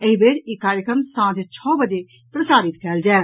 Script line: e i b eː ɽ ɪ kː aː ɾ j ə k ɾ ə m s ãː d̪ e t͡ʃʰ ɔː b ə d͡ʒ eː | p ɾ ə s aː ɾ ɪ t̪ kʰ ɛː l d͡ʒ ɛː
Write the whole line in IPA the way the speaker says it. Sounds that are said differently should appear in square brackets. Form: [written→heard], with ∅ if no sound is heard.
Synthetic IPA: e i b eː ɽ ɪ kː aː ɾ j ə k ɾ ə m s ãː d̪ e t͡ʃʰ ɔː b ə d͡ʒ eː | p ɾ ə s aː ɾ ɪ t̪ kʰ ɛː l d͡ʒ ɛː